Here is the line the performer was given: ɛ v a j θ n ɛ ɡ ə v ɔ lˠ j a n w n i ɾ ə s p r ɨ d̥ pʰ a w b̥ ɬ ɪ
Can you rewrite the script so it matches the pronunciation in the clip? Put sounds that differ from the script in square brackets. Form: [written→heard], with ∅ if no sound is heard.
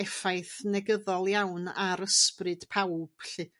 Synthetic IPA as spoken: ɛ [v→f] a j θ n ɛ ɡ ə [v→ð] ɔ lˠ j a [n→∅] w n [i→a] ɾ ə s p r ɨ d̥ pʰ a w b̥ ɬ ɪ